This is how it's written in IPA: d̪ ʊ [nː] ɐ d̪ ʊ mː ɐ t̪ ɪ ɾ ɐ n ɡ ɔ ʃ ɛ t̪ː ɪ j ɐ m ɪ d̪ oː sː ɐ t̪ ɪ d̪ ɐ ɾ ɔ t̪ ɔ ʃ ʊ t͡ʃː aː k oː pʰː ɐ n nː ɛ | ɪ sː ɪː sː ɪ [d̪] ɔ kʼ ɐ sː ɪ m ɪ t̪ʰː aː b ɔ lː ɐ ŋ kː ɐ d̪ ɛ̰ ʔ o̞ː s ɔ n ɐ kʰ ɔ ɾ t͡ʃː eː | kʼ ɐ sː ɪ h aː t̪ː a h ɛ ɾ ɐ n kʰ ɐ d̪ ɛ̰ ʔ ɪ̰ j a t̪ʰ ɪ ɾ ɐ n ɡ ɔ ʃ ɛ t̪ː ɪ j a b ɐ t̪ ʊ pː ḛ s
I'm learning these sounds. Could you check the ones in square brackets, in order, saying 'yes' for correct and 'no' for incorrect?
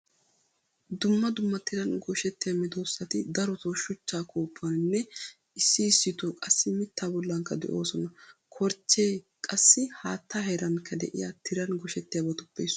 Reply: no, no

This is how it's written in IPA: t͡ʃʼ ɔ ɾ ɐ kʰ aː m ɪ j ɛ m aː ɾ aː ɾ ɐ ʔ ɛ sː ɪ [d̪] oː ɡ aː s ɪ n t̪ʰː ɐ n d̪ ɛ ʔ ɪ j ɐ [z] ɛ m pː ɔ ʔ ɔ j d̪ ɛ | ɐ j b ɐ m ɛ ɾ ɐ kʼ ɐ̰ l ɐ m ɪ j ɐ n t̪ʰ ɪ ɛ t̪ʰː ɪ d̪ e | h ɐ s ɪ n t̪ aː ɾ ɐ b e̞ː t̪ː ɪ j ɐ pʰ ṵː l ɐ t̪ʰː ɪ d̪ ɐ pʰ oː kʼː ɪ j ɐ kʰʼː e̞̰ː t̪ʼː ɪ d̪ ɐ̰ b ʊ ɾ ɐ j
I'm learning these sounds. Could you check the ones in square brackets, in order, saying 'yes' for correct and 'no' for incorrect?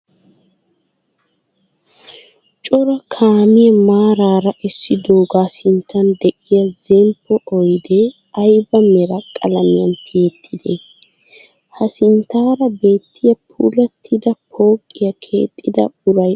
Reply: yes, yes

